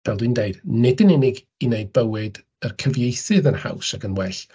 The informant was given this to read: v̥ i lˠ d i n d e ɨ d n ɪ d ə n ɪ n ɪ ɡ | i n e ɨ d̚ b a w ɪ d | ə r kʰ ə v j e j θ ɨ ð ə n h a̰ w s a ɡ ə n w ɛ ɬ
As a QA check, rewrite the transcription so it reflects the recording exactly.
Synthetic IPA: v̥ ɛ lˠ d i n d e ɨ d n ɪ d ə n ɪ n ɪ ɡ | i n e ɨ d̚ b ə w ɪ d | ə r kʰ ə v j e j θ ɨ ð ə n h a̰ w s a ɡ ə n w ɛ ɬ